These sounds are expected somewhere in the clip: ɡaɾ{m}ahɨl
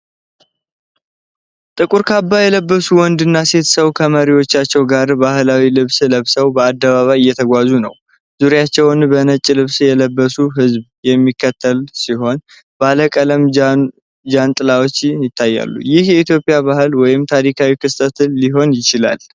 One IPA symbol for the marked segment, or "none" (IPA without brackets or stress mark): b